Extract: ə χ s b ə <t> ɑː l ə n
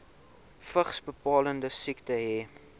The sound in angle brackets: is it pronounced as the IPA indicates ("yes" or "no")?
no